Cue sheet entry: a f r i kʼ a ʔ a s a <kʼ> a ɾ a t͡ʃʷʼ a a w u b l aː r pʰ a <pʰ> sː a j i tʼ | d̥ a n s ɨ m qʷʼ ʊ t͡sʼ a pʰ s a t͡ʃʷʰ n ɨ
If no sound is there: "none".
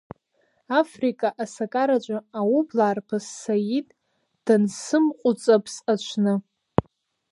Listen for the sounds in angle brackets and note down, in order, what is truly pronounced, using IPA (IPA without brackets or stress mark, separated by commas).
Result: kʼ, none